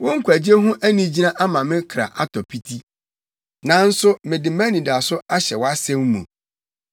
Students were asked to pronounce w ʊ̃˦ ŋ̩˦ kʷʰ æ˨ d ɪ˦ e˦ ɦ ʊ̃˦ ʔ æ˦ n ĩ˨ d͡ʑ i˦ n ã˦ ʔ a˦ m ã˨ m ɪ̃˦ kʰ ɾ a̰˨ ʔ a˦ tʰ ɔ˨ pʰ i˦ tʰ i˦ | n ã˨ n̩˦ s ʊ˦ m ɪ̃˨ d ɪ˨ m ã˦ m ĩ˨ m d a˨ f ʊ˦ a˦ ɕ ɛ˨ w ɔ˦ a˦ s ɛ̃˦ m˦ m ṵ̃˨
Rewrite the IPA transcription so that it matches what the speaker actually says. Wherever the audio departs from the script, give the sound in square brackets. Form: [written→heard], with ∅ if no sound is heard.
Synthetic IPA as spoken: w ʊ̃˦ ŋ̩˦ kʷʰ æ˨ [d→d͡ʑ] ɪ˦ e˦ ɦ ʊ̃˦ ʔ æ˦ n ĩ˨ d͡ʑ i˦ n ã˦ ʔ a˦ m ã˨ m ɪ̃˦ kʰ ɾ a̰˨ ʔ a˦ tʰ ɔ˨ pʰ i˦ tʰ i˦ | n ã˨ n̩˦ s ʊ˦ m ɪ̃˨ d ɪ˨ m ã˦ [m→n] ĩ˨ [m→∅] d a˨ [f→s] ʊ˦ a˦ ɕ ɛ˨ w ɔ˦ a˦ s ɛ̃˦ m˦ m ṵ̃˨